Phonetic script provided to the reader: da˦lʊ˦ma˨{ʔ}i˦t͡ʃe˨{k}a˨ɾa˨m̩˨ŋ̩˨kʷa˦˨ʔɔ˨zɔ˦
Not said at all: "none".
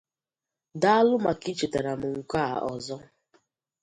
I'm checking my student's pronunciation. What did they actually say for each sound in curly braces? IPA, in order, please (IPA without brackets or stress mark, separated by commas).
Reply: k, t